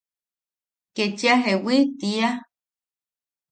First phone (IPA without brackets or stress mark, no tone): k